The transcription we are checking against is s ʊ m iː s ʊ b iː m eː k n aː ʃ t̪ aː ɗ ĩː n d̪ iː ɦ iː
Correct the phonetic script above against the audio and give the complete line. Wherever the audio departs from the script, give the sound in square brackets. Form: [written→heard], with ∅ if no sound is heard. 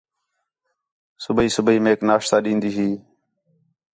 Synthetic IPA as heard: s ʊ [m→b] iː s ʊ b iː m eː k n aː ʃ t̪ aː ɗ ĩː n d̪ iː ɦ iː